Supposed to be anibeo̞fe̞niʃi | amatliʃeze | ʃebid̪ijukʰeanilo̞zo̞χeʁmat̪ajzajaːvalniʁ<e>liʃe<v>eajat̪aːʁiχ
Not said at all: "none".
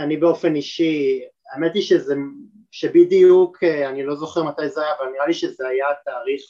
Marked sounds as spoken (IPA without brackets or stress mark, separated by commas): a, z